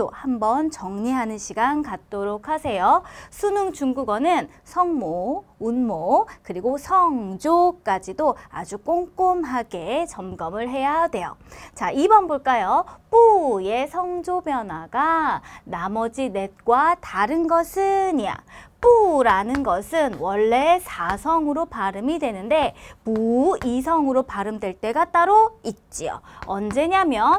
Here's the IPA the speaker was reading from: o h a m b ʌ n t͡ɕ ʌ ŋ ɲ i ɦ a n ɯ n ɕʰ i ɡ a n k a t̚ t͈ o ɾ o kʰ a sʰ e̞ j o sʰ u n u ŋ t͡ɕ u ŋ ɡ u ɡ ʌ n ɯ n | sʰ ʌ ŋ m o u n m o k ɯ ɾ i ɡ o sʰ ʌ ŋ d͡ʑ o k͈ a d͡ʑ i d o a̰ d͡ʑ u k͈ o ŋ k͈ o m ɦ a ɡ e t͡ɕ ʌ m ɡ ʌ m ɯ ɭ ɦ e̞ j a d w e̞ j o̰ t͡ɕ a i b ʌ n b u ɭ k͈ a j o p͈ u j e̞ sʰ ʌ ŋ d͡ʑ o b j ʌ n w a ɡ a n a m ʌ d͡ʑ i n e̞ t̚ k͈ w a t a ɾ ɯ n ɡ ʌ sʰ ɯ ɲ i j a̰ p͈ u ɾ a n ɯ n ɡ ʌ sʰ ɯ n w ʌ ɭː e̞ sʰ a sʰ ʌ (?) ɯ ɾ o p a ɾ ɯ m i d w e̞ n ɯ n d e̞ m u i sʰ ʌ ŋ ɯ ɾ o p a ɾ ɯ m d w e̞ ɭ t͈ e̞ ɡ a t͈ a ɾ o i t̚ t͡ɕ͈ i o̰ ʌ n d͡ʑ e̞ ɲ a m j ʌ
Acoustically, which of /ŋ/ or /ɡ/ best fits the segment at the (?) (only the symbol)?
ŋ